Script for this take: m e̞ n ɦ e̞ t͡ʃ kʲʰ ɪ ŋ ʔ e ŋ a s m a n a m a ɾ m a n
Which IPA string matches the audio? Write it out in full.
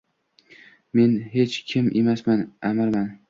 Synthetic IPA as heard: m e̞ n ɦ e̞ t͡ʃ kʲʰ ɪ m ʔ e m a s m a n a m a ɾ m a n